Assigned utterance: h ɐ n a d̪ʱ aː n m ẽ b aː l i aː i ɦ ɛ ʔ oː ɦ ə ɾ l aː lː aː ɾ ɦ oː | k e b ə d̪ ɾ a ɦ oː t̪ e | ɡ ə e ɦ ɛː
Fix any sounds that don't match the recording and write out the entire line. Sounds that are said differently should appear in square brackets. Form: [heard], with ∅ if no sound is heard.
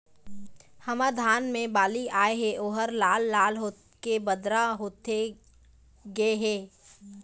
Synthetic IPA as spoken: h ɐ [m] a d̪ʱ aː n m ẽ b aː l i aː [e] ɦ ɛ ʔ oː ɦ ə ɾ l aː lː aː [l] ɦ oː | k e b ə d̪ ɾ a ɦ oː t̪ e | ɡ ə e ɦ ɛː